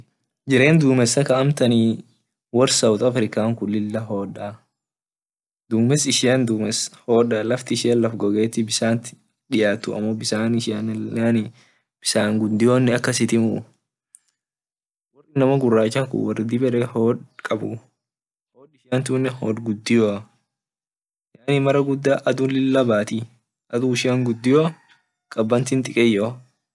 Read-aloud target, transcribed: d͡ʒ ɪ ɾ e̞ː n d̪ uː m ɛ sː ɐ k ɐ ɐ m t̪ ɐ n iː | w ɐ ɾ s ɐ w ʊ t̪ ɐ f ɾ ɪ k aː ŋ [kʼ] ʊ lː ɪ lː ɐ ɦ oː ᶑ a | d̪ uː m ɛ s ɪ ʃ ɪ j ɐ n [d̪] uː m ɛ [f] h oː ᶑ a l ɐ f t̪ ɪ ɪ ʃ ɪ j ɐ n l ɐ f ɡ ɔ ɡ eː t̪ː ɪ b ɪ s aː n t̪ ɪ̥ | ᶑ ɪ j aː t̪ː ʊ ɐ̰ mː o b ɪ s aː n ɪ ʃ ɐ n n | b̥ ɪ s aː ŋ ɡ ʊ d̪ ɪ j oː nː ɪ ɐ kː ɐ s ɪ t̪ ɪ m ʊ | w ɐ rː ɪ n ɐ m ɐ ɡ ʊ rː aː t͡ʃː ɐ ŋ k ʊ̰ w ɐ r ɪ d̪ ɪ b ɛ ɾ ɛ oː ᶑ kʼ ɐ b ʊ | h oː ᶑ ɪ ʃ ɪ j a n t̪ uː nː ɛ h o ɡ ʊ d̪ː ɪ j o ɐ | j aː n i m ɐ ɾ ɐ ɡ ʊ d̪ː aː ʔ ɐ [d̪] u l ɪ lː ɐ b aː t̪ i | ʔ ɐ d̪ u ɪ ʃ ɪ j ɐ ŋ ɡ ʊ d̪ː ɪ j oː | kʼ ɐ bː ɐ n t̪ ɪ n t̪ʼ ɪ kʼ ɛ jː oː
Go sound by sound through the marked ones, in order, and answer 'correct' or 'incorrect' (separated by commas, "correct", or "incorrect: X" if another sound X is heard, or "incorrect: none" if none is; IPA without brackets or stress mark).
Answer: incorrect: k, correct, incorrect: s, correct